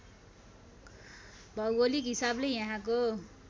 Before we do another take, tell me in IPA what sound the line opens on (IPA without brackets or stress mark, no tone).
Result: bʱ